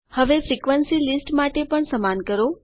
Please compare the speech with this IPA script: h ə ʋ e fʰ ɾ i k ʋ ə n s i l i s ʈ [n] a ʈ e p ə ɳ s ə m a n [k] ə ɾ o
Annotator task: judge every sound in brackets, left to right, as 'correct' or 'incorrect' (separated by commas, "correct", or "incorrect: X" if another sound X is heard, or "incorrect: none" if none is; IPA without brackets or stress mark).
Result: incorrect: m, correct